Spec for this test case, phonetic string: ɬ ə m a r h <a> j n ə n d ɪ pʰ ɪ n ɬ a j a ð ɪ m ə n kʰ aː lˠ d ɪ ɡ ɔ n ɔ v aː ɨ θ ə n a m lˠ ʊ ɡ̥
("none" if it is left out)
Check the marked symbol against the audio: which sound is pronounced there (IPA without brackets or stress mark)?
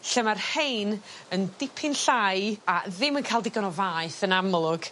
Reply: e